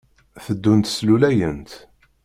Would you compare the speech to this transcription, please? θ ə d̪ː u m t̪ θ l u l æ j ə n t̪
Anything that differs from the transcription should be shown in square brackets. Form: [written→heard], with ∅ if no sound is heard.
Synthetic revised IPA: θ ə d̪ː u [m→n] t̪ [θ→s] l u l æ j ə n t̪